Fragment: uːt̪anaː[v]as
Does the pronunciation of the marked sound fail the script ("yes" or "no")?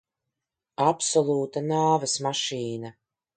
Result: no